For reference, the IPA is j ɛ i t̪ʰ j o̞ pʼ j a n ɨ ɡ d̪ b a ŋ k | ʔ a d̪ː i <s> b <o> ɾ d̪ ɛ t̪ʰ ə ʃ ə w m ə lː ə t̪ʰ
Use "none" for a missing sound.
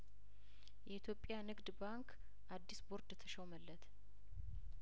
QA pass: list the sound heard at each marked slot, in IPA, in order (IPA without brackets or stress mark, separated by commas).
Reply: s, o